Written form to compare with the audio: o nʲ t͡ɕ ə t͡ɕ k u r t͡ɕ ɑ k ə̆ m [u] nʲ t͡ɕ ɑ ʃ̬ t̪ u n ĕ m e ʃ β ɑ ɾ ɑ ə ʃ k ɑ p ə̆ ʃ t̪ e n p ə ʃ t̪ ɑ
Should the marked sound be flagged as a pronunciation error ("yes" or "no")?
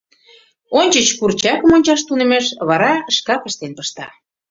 yes